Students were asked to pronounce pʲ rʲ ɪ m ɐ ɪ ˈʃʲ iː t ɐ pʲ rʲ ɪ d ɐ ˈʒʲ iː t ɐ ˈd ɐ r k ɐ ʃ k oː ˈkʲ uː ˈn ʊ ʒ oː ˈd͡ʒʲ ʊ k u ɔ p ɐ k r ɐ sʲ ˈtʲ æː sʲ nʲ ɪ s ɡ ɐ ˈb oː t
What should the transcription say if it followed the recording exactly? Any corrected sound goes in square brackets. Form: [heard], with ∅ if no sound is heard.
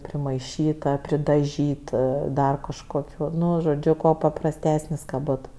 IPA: pʲ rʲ ɪ m ɐ ɪ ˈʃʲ iː t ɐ pʲ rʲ ɪ d ɐ ˈʒʲ iː t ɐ ˈd ɐ r k ɐ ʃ k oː ˈkʲ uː ˈn ʊ ʒ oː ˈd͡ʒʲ ʊ k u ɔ p ɐ [p] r ɐ sʲ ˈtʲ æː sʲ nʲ ɪ s [k] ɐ ˈb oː t